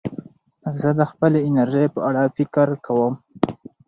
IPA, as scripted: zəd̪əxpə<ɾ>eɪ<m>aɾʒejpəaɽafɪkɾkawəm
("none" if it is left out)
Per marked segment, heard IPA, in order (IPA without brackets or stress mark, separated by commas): l, n